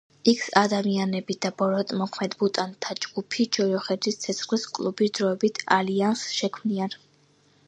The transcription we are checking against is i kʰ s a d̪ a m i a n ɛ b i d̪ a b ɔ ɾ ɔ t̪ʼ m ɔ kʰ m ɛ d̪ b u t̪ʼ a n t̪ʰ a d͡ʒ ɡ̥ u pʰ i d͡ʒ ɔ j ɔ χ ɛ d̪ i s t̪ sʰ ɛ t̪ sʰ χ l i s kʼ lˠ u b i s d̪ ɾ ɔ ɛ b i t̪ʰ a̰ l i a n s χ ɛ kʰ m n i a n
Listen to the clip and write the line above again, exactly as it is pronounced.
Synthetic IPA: i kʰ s a d̪ a m i a n ɛ b i d̪ a b ɔ ɾ ɔ t̪ʼ m ɔ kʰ m ɛ d̪ b u t̪ʼ a n t̪ʰ a d͡ʒ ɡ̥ u pʰ i d͡ʒ ɔ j ɔ χ ɛ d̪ i s t̪ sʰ ɛ t̪ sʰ χ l i s kʼ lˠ u b i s d̪ ɾ ɔ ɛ b i t̪ʰ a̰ l i a n s ʃ ɛ kʰ m n i a n